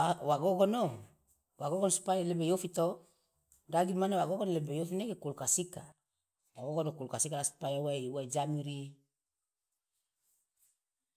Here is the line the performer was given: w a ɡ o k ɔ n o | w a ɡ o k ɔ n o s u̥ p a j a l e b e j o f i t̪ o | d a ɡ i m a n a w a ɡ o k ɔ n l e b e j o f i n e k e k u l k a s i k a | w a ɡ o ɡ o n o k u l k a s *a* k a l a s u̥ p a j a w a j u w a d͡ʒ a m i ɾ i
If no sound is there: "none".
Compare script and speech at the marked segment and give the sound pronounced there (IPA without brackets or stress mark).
i